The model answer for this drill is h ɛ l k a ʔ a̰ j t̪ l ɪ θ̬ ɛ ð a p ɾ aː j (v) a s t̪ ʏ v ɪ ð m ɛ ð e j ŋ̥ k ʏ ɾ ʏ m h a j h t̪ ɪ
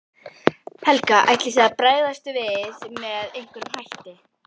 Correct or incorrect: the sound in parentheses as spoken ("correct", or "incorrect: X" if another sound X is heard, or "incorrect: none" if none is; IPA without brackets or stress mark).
incorrect: ð